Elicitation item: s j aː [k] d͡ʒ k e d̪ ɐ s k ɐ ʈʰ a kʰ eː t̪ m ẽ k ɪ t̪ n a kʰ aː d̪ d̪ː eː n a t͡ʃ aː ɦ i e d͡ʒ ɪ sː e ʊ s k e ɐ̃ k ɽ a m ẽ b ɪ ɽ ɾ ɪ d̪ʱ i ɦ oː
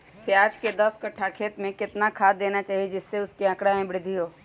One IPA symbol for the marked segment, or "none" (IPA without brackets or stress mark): none